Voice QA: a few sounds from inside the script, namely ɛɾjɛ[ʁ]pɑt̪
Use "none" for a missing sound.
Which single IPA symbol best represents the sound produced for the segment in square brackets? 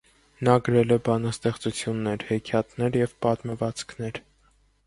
v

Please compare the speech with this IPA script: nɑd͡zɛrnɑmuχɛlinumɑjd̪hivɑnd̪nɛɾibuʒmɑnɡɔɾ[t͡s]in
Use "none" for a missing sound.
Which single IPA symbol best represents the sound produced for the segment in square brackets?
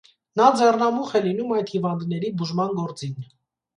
t͡s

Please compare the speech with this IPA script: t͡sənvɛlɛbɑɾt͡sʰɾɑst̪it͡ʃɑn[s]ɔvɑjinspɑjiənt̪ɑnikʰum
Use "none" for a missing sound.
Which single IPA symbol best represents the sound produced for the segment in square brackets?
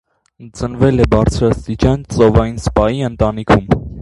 t͡s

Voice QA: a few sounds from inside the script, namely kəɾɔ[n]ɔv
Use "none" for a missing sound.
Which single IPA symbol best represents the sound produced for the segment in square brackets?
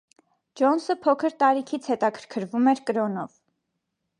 n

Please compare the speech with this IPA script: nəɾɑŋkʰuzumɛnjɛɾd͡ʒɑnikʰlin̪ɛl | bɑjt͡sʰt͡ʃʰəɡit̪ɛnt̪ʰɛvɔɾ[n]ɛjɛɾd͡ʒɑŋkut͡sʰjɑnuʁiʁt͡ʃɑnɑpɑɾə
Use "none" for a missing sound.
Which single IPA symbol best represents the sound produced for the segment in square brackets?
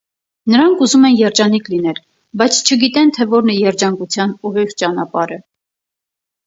n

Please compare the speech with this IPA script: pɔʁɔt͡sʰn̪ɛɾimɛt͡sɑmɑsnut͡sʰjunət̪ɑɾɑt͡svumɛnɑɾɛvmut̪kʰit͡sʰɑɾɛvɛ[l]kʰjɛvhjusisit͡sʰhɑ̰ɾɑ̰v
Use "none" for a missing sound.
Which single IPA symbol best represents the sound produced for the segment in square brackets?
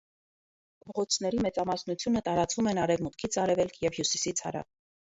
l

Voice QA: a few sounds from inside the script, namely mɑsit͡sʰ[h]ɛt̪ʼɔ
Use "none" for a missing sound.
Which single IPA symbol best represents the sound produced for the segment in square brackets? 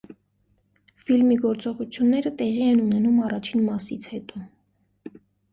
h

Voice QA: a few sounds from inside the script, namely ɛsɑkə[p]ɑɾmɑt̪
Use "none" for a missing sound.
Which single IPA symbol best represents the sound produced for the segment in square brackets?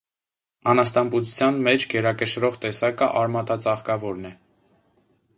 ʔ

